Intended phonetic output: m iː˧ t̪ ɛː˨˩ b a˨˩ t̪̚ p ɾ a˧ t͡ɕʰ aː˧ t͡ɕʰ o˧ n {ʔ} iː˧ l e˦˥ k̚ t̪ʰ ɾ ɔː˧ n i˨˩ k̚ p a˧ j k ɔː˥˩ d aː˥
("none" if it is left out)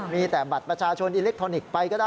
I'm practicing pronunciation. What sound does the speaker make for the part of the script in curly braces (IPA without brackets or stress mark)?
ʔ